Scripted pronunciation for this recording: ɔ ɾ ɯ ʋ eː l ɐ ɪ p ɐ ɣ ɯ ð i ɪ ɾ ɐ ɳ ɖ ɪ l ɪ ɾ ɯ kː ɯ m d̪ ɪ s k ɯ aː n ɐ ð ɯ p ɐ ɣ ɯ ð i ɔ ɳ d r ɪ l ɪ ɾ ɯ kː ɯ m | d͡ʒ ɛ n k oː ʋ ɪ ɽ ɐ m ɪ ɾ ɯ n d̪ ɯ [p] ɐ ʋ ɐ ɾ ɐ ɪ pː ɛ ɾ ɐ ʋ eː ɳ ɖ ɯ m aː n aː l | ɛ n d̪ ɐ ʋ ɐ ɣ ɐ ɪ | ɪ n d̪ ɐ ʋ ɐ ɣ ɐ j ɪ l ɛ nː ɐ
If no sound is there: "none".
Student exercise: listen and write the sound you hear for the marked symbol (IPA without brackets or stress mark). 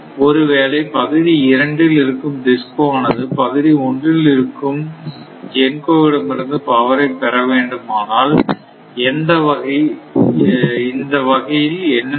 p